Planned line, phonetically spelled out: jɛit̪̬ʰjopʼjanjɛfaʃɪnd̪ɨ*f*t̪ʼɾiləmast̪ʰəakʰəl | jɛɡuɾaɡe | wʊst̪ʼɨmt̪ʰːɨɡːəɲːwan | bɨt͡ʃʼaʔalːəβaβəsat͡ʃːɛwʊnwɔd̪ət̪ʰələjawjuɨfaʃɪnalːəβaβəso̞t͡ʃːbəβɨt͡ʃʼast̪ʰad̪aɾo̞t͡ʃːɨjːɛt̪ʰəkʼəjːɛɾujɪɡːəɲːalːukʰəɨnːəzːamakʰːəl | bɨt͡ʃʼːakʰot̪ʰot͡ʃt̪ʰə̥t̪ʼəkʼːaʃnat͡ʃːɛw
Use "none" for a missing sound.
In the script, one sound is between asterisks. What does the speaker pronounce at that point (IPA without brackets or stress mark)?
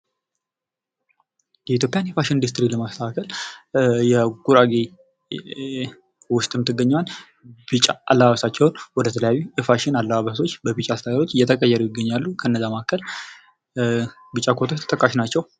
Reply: s